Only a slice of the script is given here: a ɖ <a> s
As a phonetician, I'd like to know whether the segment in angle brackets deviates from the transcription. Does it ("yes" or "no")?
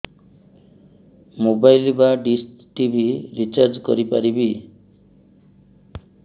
yes